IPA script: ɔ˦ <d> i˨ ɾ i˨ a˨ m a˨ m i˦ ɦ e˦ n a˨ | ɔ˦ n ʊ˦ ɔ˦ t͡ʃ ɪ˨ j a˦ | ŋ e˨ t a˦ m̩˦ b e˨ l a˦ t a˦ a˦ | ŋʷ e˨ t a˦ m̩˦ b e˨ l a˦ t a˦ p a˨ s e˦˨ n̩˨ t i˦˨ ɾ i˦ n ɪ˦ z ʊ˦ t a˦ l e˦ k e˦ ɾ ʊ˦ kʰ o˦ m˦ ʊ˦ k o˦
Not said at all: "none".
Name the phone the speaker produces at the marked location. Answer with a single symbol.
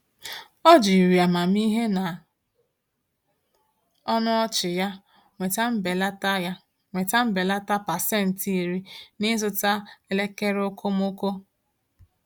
d͡ʒ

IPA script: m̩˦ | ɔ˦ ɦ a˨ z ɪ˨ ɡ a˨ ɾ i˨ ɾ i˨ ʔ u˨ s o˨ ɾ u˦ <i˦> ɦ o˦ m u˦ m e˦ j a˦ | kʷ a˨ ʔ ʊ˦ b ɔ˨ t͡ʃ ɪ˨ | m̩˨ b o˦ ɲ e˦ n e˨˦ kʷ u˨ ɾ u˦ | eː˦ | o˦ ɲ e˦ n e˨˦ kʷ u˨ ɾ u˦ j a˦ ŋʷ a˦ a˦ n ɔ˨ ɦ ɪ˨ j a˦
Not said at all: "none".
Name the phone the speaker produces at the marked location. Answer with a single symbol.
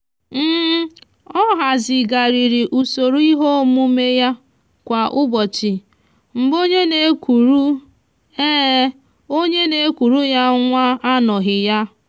i˦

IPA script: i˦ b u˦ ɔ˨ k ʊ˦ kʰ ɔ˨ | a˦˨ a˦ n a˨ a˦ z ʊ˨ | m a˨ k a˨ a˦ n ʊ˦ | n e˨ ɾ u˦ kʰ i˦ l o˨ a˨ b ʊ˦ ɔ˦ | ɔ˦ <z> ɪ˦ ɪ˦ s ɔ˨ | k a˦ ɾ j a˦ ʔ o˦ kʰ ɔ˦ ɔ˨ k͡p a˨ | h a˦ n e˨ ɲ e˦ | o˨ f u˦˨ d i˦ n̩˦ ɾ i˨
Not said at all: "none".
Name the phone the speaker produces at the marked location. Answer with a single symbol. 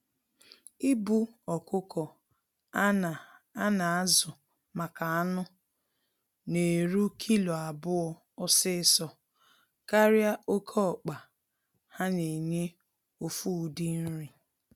s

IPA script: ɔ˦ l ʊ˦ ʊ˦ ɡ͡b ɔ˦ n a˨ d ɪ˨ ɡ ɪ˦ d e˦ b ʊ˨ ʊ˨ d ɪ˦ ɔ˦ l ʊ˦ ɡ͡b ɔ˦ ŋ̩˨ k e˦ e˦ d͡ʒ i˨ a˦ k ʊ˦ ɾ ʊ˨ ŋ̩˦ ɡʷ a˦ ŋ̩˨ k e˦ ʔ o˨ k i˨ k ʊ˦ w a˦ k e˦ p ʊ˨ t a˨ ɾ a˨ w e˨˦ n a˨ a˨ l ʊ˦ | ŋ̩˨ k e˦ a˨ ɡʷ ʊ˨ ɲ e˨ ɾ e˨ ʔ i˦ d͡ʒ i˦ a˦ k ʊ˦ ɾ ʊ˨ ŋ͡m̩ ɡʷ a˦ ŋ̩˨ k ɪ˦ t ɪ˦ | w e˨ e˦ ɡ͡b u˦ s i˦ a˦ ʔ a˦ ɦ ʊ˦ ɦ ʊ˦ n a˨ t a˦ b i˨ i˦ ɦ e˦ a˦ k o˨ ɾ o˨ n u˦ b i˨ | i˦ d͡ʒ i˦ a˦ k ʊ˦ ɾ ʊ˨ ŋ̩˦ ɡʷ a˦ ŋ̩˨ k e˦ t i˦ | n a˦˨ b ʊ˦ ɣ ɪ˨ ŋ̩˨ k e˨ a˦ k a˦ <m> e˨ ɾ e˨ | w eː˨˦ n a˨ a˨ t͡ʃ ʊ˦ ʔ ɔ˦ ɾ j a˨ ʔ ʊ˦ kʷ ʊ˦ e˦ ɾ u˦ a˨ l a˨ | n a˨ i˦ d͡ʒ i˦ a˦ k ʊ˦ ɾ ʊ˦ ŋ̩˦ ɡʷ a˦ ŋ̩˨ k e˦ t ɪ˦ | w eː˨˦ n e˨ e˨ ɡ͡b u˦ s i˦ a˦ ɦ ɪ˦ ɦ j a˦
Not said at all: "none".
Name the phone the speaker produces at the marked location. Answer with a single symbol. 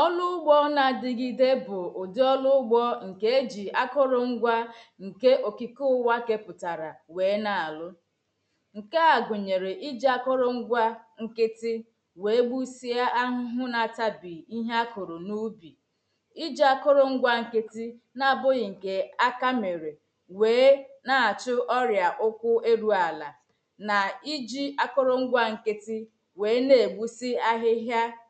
m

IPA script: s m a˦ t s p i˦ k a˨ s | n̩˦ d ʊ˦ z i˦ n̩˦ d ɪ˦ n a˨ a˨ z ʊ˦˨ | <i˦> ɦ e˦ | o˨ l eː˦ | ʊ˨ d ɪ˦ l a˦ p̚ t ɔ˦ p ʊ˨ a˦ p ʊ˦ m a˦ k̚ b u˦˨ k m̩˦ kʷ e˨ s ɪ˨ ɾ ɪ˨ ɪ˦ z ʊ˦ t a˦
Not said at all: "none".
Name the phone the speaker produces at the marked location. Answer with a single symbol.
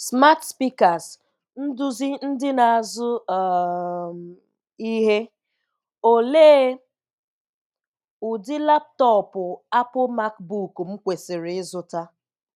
i˦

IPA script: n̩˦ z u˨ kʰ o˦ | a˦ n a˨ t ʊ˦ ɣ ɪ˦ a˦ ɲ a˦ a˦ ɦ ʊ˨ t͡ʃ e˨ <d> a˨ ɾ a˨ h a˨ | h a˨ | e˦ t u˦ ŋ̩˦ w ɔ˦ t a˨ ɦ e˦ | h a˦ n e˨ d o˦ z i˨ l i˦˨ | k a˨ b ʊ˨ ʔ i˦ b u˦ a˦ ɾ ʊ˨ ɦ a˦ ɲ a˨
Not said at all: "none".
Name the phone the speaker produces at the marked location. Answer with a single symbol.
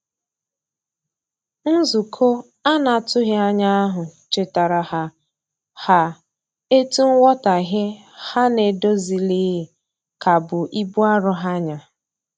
t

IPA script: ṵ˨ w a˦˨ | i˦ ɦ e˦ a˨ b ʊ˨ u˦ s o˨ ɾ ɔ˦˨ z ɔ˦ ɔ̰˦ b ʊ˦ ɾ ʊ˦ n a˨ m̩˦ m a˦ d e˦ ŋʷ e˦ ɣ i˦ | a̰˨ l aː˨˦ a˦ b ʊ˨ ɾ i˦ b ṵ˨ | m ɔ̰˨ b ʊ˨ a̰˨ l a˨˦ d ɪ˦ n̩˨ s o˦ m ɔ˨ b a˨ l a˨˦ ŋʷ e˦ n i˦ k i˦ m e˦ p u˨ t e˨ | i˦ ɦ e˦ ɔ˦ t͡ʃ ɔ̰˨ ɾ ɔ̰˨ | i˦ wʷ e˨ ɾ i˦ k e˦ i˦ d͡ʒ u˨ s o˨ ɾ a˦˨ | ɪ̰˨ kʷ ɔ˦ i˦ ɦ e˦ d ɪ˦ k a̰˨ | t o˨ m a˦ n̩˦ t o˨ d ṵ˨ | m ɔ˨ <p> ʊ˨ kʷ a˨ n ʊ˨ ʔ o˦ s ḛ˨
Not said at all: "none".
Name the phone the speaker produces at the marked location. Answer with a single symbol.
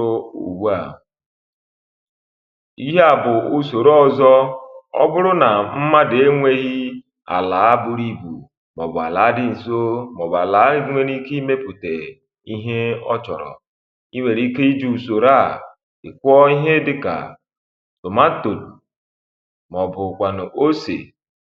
b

